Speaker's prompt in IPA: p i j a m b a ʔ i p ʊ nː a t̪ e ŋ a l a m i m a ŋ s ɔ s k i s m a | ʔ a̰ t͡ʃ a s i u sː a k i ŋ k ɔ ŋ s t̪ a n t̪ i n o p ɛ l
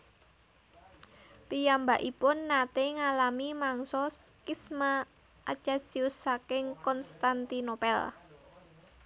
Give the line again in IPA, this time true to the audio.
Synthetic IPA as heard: p i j a m b a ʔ i p ʊ nː a t̪ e ŋ a l a m i m a ŋ s ɔ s k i s m a | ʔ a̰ t͡ʃ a s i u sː a k ɪ ŋ k ɔ n s t̪ a n t̪ i n o p ɛ l